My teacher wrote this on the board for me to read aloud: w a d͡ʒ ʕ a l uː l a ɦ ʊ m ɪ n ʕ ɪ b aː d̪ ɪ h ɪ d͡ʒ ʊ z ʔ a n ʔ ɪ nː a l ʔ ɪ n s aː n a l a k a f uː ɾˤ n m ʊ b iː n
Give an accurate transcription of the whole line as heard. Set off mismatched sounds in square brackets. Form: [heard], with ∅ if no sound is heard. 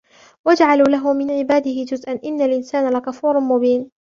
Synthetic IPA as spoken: w a d͡ʒ ʕ a l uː l a ɦ ʊ m ɪ n ʕ ɪ b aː d̪ ɪ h ɪ d͡ʒ ʊ z ʔ a n ʔ ɪ nː a l ʔ ɪ n s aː n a l a k a f uː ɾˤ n m ʊ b iː n